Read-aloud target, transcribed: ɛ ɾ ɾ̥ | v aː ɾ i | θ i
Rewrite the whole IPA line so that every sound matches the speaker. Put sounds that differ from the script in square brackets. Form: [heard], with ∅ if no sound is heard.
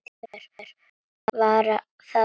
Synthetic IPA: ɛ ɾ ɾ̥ | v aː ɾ [a] | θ [a]